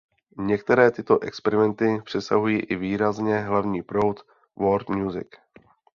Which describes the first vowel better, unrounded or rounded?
unrounded